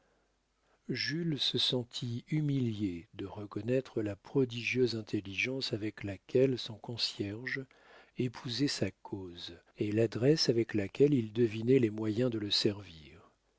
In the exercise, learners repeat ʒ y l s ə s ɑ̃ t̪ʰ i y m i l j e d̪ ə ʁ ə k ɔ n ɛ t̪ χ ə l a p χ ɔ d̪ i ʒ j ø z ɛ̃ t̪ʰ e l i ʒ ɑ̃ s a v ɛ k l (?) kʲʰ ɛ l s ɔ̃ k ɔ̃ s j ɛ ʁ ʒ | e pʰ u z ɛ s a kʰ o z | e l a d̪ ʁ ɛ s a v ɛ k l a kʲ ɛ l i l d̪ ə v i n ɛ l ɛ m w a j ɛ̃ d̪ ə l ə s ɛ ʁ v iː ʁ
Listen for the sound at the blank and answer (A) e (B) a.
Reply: B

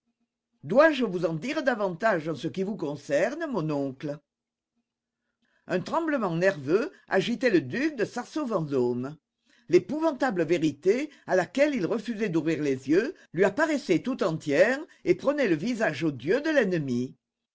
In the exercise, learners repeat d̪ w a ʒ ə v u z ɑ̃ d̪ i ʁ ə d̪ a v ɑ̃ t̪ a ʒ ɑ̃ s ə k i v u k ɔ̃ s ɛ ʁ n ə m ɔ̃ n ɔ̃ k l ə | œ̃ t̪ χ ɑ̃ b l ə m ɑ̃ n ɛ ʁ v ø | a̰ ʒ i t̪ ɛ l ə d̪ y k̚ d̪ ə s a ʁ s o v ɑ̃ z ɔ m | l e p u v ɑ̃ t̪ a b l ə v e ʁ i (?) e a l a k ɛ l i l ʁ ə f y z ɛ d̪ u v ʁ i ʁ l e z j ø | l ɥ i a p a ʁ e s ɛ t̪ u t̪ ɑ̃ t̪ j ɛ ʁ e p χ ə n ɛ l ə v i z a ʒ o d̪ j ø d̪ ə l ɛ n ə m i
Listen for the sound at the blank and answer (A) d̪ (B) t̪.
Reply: B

